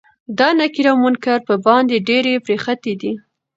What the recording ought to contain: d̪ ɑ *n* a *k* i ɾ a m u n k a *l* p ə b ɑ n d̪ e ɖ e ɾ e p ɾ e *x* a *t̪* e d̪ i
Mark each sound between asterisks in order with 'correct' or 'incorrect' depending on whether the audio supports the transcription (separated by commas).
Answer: correct, correct, incorrect, correct, correct